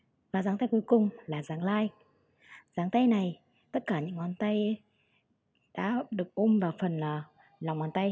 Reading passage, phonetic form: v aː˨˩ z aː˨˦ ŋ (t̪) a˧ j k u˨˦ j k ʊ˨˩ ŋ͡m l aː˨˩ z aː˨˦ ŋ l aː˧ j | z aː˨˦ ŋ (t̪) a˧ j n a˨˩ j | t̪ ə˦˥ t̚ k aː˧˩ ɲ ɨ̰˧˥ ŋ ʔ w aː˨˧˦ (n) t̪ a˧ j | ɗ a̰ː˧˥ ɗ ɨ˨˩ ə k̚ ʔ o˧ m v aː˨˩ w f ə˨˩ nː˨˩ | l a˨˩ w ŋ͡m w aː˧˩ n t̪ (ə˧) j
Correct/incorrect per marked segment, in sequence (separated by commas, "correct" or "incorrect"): correct, correct, correct, incorrect